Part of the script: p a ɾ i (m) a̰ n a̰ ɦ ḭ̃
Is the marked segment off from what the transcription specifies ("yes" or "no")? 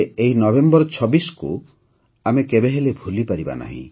yes